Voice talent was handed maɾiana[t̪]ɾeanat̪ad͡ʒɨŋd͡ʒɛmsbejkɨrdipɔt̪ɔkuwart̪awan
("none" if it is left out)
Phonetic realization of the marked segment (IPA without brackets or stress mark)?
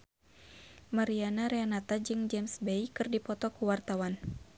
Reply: none